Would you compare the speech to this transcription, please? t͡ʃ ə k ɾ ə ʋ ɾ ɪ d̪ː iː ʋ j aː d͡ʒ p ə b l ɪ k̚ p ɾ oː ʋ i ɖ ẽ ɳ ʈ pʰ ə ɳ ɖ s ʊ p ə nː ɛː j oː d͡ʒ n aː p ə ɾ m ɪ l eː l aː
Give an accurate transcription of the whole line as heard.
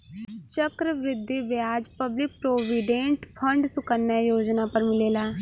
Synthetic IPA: t͡ʃ ə k ɾ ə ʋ ɾ ɪ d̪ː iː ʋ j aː d͡ʒ p ə b l ɪ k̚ p ɾ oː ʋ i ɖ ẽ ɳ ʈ pʰ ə ɳ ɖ s ʊ k ə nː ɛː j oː d͡ʒ n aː p ə ɾ m ɪ l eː l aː

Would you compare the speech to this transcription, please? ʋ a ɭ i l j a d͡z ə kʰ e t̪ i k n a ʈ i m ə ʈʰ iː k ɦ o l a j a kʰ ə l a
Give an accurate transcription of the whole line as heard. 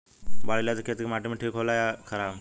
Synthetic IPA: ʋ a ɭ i l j a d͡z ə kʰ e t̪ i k m a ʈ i m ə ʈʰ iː k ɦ o l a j a kʰ ə ɾ a

